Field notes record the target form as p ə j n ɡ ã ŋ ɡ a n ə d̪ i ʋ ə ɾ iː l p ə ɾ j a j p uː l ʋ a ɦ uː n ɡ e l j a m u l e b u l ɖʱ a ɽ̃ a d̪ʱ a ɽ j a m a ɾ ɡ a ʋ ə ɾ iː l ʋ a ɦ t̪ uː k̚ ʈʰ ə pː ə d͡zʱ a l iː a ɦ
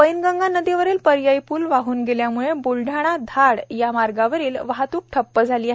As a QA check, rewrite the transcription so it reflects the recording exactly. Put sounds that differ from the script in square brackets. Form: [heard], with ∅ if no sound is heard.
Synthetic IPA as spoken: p ə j n ɡ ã ŋ ɡ a n ə d̪ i ʋ ə ɾ iː l p ə ɾ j a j p uː l ʋ a ɦ uː n ɡ e l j a m u [ɭ] e b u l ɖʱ a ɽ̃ a d̪ʱ a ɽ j a m a ɾ ɡ a ʋ ə ɾ iː l ʋ a ɦ t̪ uː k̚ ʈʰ ə pː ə d͡zʱ a l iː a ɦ